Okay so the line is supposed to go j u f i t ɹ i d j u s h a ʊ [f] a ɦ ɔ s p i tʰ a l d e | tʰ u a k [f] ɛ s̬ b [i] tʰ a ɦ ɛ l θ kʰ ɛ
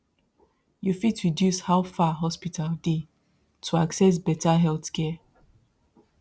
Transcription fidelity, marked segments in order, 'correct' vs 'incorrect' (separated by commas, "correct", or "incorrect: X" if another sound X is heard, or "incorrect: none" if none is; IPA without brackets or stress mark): correct, incorrect: s, incorrect: ɛ